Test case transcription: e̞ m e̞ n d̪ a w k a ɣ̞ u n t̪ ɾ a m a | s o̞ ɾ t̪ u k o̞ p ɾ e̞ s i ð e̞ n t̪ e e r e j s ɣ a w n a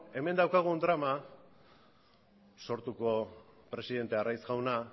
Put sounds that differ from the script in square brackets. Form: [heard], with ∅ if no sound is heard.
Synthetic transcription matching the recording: e̞ m e̞ n d̪ a w k a ɣ̞ u n [d̪] ɾ a m a | s o̞ ɾ t̪ u k o̞ p ɾ e̞ s i ð e̞ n t̪ e [a] r [a] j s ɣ a w n a